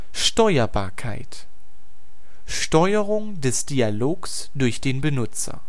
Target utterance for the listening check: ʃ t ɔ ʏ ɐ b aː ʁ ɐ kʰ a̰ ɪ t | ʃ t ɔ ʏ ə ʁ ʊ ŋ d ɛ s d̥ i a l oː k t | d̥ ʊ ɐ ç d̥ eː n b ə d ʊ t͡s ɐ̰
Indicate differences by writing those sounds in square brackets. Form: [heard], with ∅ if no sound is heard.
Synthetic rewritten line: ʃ t ɔ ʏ ɐ b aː [∅] ɐ kʰ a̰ ɪ t | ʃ t ɔ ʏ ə ʁ ʊ ŋ d ɛ s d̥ i a l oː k [s] | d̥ ʊ ɐ ç d̥ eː n b ə [n] ʊ t͡s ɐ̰

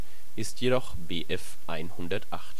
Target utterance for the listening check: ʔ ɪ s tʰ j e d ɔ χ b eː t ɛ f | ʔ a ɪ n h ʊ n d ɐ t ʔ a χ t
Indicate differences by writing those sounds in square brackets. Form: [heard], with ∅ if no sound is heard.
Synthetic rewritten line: ʔ ɪ s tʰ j e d ɔ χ b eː [ʔ] ɛ f | ʔ a ɪ n h ʊ n d ɐ t ʔ a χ t

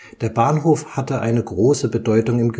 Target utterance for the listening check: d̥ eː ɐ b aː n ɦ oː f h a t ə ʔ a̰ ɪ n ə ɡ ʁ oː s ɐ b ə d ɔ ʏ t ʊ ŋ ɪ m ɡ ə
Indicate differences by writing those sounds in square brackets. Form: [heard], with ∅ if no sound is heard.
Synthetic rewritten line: d̥ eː ɐ b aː n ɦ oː f h a t ə ʔ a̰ ɪ n ə ɡ ʁ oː s [ə] b ə d ɔ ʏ t ʊ ŋ ɪ m ɡ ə

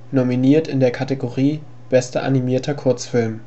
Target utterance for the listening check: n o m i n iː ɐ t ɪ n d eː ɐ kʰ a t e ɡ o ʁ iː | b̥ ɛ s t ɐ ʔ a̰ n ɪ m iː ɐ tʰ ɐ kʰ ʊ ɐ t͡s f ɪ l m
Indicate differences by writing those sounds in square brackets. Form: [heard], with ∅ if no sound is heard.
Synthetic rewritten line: n o m i n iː ɐ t ɪ n d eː ɐ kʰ a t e ɡ o ʁ iː | b̥ ɛ s t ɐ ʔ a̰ n [i] m iː ɐ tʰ ɐ kʰ ʊ ɐ t͡s f ɪ l m

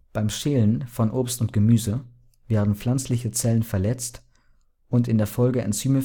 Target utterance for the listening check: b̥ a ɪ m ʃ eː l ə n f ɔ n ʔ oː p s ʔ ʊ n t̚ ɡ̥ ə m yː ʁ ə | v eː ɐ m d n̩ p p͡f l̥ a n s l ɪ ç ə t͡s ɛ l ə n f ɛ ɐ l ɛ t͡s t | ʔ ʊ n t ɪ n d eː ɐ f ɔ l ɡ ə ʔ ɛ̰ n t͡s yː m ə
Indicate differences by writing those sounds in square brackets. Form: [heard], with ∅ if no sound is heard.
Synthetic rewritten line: b̥ a ɪ m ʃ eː l ə n f ɔ n ʔ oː p s [t] ʊ n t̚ ɡ̥ ə m yː [z] ə | v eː ɐ [∅] d n̩ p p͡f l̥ a n [t͡s] l ɪ ç ə t͡s ɛ l ə n f ɛ ɐ l ɛ t͡s t | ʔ ʊ n t ɪ n d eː ɐ f ɔ l ɡ ə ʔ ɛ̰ n t͡s yː m ə

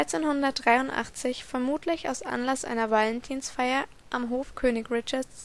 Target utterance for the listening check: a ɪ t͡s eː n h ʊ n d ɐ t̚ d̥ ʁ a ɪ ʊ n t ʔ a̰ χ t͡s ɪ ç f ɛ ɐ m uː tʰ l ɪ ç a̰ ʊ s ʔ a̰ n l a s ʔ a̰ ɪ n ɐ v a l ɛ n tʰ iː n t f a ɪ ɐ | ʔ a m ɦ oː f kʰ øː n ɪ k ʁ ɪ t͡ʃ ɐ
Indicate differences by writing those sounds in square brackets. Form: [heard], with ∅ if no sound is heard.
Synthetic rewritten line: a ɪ t͡s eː n h ʊ n d ɐ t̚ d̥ ʁ a ɪ ʊ n t ʔ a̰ χ t͡s ɪ ç f ɛ ɐ m uː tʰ l ɪ ç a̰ ʊ s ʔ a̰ n l a s ʔ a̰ ɪ n ɐ v a l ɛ n tʰ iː n [s] f a ɪ ɐ | ʔ a m ɦ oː f kʰ øː n ɪ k ʁ ɪ t͡ʃ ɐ

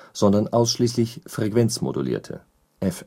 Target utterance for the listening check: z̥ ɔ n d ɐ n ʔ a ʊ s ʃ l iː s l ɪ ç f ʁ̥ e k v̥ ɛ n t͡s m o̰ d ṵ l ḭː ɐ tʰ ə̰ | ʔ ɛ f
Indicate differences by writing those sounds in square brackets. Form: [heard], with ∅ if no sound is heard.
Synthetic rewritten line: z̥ ɔ n d ɐ n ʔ a ʊ s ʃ l iː s l ɪ ç f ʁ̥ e k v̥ ɛ n t͡s m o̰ d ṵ l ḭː ɐ tʰ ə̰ | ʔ ɛ f

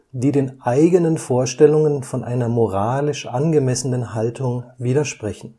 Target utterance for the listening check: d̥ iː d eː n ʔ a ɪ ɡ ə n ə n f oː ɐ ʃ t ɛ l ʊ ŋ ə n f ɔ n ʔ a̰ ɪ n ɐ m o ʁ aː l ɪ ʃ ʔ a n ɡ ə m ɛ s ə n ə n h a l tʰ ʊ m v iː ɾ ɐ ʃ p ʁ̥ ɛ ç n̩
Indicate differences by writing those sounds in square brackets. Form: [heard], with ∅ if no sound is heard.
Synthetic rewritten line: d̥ iː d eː n ʔ a ɪ ɡ ə n ə n f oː ɐ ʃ t ɛ l ʊ ŋ ə n f ɔ n ʔ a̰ ɪ n ɐ m o ʁ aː l ɪ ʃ ʔ a n ɡ ə m ɛ s ə n ə n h a l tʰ ʊ [ŋ] v iː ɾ ɐ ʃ p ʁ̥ ɛ ç n̩

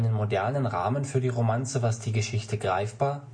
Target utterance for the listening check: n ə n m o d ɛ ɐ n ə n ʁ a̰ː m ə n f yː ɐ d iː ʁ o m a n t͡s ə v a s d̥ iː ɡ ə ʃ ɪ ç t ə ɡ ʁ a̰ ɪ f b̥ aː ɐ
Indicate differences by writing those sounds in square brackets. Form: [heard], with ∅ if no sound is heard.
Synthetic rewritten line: n ə n m o d ɛ ɐ n ə n ʁ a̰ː m ə n f yː ɐ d iː ʁ o m a n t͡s ə v a s d̥ iː ɡ ə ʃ ɪ ç t ə ɡ ʁ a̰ ɪ f b̥ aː ɐ

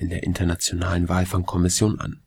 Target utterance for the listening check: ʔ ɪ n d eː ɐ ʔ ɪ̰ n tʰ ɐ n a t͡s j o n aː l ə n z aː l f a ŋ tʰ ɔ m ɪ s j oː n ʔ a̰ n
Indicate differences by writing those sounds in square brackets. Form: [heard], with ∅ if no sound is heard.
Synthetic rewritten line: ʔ ɪ n d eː ɐ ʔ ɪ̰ n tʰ ɐ n a t͡s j o n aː l ə n [v] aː l f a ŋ [kʰ] ɔ m ɪ s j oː n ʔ a̰ n

